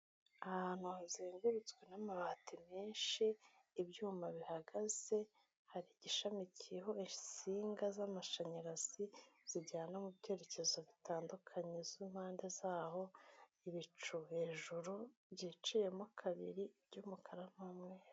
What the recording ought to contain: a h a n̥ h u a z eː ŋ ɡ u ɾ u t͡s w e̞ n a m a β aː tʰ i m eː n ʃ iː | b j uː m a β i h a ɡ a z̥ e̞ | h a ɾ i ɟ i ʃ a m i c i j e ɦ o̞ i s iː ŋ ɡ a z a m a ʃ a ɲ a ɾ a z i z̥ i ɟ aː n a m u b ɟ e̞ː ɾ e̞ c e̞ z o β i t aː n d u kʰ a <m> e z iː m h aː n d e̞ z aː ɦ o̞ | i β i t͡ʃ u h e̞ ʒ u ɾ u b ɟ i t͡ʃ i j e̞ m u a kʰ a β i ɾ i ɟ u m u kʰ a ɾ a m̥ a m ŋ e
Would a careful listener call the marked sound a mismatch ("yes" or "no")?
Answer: yes